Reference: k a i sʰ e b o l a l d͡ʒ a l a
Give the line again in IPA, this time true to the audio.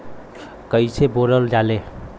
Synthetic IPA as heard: k ə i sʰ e b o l ə l d͡ʒ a l e